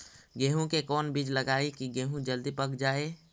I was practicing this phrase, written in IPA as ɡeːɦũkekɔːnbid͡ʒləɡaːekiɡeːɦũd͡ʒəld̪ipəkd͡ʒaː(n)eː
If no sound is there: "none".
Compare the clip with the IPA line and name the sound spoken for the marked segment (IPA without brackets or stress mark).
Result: none